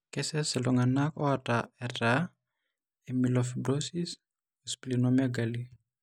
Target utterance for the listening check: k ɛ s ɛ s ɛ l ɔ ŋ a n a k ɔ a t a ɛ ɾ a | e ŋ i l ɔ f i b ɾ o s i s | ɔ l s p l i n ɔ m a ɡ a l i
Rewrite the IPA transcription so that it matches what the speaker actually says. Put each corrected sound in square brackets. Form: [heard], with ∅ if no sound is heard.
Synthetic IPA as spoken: k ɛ s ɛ s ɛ l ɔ ŋ a n a k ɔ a t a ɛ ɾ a | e [m] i l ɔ f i b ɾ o s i s | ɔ [∅] s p l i n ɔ m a ɡ a l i